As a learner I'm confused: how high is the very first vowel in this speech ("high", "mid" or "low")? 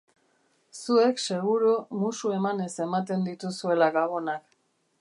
high